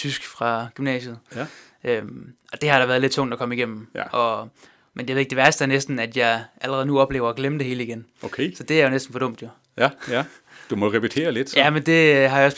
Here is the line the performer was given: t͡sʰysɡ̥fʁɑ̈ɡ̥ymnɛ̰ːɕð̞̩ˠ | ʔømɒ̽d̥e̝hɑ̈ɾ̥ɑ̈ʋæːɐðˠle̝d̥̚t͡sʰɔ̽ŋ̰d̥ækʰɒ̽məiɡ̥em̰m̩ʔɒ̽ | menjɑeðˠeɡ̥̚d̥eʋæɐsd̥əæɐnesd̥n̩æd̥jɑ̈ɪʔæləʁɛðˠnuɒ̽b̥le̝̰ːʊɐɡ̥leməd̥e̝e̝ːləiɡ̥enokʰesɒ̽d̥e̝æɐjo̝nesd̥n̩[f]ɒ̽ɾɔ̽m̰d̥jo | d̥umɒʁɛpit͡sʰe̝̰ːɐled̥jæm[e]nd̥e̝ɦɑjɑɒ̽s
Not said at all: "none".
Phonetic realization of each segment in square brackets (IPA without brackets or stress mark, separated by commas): f, e